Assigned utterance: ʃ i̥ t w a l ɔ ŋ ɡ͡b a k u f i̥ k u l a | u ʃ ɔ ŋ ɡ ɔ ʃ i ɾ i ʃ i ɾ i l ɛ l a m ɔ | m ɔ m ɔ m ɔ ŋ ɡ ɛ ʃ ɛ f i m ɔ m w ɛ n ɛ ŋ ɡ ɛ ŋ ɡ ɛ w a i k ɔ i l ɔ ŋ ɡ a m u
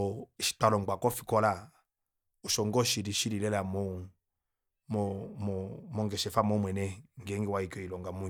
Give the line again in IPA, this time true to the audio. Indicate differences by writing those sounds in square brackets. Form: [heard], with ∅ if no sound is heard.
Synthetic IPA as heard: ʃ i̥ t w a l ɔ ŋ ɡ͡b a k [ɔ] f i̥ k [ɔ] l a | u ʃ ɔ ŋ ɡ ɔ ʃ i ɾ i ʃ i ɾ i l ɛ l a m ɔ | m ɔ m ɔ m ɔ ŋ ɡ ɛ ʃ ɛ f [a] m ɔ m w ɛ n ɛ ŋ ɡ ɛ ŋ ɡ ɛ w a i k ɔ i l ɔ ŋ ɡ a m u